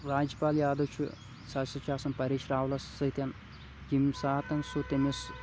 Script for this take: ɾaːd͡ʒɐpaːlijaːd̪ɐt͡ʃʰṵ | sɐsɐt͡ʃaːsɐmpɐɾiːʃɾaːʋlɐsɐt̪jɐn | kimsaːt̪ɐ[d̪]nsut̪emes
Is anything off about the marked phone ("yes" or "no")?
yes